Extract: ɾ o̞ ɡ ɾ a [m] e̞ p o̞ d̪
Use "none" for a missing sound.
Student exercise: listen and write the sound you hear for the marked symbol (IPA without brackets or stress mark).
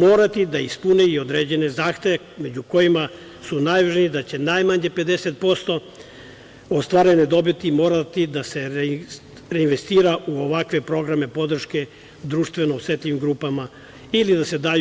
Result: m